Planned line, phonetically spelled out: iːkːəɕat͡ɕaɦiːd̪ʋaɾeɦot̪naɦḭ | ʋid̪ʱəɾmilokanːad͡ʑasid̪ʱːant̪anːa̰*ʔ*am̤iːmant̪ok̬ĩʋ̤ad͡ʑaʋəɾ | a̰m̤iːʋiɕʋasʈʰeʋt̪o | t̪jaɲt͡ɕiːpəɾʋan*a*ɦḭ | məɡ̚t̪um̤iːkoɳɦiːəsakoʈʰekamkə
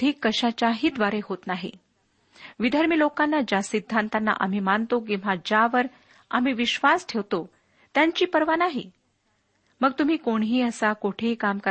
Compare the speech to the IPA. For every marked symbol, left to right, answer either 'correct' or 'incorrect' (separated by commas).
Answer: correct, correct